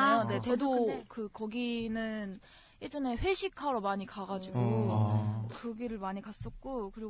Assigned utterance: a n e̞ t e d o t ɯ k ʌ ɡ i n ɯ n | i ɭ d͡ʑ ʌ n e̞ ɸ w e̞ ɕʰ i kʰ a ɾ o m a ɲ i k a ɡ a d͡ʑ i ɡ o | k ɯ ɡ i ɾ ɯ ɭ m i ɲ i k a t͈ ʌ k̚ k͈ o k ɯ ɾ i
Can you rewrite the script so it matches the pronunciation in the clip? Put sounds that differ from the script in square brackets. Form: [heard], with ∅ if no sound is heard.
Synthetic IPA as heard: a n e̞ t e d o [k] ɯ k ʌ ɡ i n ɯ n | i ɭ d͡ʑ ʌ n e̞ ɸ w e̞ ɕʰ i kʰ a ɾ o m a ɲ i k a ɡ a d͡ʑ i ɡ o | k ɯ ɡ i ɾ ɯ ɭ m [a] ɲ i k a [s͈] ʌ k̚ k͈ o k ɯ ɾ i